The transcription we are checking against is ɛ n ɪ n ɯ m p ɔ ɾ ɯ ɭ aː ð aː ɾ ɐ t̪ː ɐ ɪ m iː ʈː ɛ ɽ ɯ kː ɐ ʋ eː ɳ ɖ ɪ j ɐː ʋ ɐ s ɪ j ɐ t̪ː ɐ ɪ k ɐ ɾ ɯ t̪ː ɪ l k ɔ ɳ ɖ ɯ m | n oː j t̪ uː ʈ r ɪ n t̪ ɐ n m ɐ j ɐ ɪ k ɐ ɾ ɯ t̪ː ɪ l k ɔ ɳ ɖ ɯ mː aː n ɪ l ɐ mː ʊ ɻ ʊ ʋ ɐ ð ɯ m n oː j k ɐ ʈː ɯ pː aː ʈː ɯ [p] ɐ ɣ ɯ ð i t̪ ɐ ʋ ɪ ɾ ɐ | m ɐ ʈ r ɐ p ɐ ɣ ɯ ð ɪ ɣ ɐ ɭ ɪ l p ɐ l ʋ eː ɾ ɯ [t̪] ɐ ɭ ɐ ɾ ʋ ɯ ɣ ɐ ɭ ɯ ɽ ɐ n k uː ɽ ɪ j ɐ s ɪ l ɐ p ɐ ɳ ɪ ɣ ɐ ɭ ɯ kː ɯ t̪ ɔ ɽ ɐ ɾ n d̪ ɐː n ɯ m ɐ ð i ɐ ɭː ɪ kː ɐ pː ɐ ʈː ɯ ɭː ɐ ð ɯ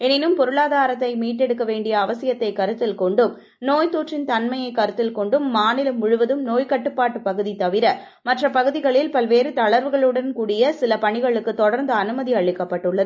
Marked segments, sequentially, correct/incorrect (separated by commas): correct, correct